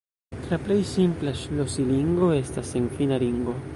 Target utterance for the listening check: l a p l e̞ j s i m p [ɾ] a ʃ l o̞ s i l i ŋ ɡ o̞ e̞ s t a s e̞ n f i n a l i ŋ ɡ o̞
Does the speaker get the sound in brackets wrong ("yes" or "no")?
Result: yes